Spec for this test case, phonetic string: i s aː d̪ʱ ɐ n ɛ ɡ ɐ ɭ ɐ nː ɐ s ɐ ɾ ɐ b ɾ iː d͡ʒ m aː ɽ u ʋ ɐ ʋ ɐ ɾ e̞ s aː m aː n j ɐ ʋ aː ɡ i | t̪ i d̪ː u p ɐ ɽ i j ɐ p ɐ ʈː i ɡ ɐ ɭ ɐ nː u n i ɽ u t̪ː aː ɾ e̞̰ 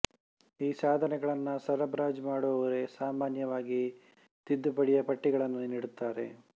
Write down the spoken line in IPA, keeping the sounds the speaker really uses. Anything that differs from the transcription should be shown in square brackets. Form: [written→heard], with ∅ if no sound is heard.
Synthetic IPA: [i→iː] s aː d̪ʱ ɐ n ɛ ɡ ɐ ɭ ɐ nː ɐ s ɐ ɾ ɐ b ɾ [iː→aː] d͡ʒ m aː ɽ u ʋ ɐ ʋ ɐ ɾ e̞ s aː m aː n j ɐ ʋ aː ɡ i | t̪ i d̪ː u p ɐ ɽ i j ɐ p ɐ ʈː i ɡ ɐ ɭ ɐ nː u n i ɽ u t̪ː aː ɾ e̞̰

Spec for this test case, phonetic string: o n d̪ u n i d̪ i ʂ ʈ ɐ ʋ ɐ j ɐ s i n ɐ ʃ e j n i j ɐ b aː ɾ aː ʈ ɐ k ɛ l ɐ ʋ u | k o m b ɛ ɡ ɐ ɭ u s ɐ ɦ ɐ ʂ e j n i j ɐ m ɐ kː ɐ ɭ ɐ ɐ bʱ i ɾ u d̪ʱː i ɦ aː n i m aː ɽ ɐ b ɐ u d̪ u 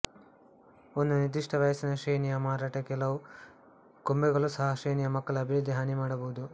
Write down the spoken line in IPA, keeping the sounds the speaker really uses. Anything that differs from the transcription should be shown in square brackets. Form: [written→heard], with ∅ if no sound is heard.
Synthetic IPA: o n d̪ u n i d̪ i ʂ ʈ ɐ ʋ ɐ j ɐ s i n ɐ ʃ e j n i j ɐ [b→m] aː ɾ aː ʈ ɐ k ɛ l ɐ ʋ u | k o m b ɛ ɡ ɐ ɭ u s ɐ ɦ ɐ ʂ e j n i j ɐ m ɐ kː ɐ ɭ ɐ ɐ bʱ i ɾ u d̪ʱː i ɦ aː n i m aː ɽ ɐ b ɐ u d̪ u

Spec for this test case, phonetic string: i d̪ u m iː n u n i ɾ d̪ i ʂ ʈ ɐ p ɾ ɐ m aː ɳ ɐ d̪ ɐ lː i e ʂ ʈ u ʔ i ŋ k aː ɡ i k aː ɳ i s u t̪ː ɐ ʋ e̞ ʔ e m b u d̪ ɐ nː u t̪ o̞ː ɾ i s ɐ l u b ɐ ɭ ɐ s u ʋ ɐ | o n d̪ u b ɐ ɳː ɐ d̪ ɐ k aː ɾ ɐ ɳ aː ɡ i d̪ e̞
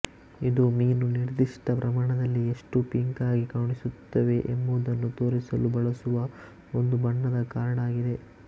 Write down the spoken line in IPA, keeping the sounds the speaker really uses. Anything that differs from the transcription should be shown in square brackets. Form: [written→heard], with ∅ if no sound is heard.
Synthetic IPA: i d̪ u m iː n u n i ɾ d̪ i ʂ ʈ ɐ p ɾ ɐ m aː ɳ ɐ d̪ ɐ lː i e ʂ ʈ u [ʔ→p] i ŋ k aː ɡ i k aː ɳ i s u t̪ː ɐ ʋ e̞ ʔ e m b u d̪ ɐ nː u t̪ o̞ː ɾ i s ɐ l u b ɐ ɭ ɐ s u ʋ ɐ | o n d̪ u b ɐ ɳː ɐ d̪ ɐ k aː ɾ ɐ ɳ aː ɡ i d̪ e̞

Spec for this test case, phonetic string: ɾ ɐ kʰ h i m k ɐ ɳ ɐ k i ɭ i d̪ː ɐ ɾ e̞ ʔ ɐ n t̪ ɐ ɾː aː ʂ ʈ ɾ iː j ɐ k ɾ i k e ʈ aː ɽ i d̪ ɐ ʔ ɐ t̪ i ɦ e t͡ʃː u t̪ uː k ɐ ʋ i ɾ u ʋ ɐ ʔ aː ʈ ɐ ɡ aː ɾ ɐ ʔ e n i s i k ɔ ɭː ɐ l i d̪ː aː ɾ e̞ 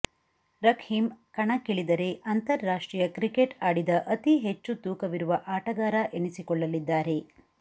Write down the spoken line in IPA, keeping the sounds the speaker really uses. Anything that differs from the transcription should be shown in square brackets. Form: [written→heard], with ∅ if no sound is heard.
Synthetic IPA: ɾ ɐ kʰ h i m k ɐ ɳ ɐ k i ɭ i [d̪ː→d̪] ɐ ɾ e̞ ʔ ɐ n t̪ ɐ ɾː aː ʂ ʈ ɾ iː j ɐ k ɾ i k e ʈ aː ɽ i d̪ ɐ ʔ ɐ t̪ i ɦ e t͡ʃː u t̪ uː k ɐ ʋ i ɾ u ʋ ɐ ʔ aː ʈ ɐ ɡ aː ɾ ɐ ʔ e n i s i k ɔ ɭː ɐ l i d̪ː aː ɾ e̞

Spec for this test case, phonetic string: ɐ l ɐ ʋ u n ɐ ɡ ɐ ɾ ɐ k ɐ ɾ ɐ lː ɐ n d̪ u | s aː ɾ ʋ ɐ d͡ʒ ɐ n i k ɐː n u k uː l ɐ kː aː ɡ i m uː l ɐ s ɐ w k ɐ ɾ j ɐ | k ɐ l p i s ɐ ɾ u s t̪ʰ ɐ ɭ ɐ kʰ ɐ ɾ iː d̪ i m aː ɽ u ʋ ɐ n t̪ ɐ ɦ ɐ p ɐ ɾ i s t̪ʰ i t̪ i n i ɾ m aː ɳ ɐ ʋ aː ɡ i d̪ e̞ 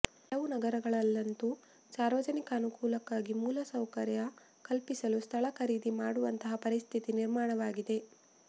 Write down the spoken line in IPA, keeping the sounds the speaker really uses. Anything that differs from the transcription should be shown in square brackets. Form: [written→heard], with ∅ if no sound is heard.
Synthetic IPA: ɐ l ɐ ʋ u n ɐ ɡ ɐ ɾ ɐ [k→ɡ] ɐ [ɾ→ɭ] ɐ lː ɐ n [d̪→t̪] u | s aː ɾ ʋ ɐ d͡ʒ ɐ n i k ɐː n u k uː l ɐ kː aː ɡ i m uː l ɐ s ɐ w k ɐ ɾ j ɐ | k ɐ l p i s ɐ [ɾ→l] u s t̪ʰ ɐ ɭ ɐ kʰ ɐ ɾ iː d̪ i m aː ɽ u ʋ ɐ n t̪ ɐ ɦ ɐ p ɐ ɾ i s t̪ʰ i t̪ i n i ɾ m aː ɳ ɐ ʋ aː ɡ i d̪ e̞

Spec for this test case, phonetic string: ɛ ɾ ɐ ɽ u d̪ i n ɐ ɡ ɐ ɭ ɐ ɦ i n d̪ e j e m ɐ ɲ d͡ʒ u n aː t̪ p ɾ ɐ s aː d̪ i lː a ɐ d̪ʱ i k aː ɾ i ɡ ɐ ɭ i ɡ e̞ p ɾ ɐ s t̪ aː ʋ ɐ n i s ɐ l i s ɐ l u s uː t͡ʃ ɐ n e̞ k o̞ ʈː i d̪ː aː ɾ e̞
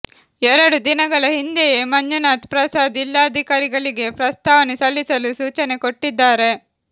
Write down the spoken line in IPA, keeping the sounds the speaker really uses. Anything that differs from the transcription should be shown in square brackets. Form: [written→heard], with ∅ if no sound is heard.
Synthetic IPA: ɛ ɾ ɐ ɽ u d̪ i n ɐ ɡ ɐ ɭ ɐ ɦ i n d̪ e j e m ɐ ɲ d͡ʒ u n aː t̪ p ɾ ɐ s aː d̪ i lː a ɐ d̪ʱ i k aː ɾ i ɡ ɐ ɭ i ɡ e̞ p ɾ ɐ s t̪ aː ʋ ɐ n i s ɐ [l→lː] i s ɐ l u s uː t͡ʃ ɐ n e̞ k o̞ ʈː i d̪ː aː ɾ e̞

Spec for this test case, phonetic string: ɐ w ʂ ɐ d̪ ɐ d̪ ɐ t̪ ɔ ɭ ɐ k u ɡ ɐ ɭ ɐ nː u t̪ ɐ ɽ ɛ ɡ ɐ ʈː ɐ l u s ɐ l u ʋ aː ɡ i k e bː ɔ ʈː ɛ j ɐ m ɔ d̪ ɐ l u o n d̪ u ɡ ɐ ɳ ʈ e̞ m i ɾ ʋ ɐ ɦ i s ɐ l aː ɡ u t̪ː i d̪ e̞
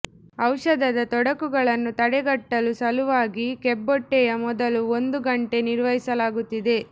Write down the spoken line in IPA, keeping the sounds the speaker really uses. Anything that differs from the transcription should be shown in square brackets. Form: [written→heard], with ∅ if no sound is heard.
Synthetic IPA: ɐ w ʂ ɐ d̪ ɐ d̪ ɐ t̪ ɔ [ɭ→ɽ] ɐ k u ɡ ɐ ɭ ɐ nː u t̪ ɐ ɽ ɛ ɡ ɐ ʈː ɐ l u s ɐ l u ʋ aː ɡ i k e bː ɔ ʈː ɛ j ɐ m ɔ d̪ ɐ l u o n d̪ u ɡ ɐ ɳ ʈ e̞ [m→n] i ɾ ʋ ɐ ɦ i s ɐ l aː ɡ u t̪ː i d̪ e̞

